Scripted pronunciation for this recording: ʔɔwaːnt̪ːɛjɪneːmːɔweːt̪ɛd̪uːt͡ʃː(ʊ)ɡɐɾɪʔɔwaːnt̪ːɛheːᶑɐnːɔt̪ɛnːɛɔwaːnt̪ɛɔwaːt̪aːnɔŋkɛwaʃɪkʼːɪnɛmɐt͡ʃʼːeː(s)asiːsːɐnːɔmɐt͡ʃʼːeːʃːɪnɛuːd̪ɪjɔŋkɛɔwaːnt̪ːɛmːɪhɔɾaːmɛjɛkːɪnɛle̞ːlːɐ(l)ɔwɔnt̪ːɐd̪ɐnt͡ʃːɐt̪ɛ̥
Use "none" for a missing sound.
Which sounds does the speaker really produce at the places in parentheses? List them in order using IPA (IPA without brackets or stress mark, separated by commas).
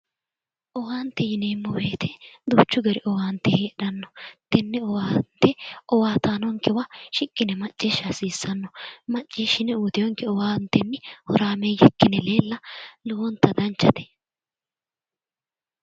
ʊ, ʃ, l